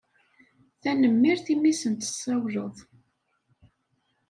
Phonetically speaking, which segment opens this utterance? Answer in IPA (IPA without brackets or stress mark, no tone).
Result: θ